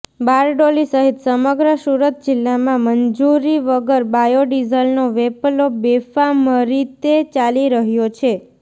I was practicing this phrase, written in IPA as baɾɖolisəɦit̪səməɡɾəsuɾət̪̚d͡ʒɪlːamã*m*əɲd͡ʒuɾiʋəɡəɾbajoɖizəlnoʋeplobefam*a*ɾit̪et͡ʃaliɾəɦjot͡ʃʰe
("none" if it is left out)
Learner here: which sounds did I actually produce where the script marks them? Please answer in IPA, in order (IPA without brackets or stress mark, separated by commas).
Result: m, ə